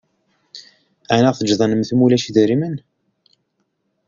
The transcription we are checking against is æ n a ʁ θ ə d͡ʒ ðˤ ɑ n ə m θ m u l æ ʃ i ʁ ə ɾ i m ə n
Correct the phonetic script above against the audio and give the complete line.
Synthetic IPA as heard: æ n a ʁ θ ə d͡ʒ ðˤ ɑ n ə m θ m u l æ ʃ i ð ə ɾ i m ə n